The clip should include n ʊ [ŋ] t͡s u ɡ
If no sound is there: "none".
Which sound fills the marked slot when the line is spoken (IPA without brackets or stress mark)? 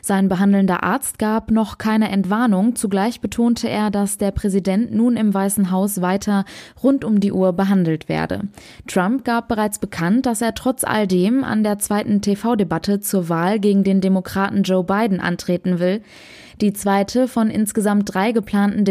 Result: ŋ